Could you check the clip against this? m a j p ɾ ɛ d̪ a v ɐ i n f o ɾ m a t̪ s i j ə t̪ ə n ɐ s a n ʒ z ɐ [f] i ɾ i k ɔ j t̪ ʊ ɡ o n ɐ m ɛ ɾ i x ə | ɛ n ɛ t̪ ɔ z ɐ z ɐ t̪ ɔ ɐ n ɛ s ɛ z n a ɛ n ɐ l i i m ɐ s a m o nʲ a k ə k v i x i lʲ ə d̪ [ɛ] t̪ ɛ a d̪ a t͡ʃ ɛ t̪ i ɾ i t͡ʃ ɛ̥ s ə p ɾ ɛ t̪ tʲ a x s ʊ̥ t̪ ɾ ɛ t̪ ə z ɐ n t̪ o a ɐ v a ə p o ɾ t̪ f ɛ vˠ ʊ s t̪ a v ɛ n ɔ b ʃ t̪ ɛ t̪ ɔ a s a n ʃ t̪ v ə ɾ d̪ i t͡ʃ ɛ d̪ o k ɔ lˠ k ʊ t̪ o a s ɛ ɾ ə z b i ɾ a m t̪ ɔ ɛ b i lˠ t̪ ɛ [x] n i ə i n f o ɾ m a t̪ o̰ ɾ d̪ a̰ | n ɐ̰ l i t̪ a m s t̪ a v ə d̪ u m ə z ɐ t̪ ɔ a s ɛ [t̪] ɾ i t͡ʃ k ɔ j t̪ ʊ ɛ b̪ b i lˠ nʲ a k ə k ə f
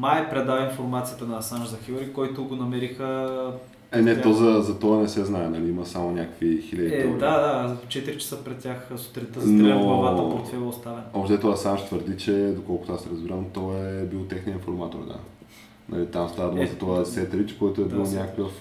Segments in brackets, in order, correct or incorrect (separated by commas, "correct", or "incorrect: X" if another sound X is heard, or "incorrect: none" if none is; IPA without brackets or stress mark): incorrect: x, incorrect: i, correct, correct